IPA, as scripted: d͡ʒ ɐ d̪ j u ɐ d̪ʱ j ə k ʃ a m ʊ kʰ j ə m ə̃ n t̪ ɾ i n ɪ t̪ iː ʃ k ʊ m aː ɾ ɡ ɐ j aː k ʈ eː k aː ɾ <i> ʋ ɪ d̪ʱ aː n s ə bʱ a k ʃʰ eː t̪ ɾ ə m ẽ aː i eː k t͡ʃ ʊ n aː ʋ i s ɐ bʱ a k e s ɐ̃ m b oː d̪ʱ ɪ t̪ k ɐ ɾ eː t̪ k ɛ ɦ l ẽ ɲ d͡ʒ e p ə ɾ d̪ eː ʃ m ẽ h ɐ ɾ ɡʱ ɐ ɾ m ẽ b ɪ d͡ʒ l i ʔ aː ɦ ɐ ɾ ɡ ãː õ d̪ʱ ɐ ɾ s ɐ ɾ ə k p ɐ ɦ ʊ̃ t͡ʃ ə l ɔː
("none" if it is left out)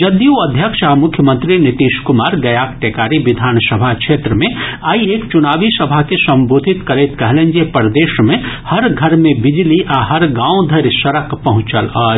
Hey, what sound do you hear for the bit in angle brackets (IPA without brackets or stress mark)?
i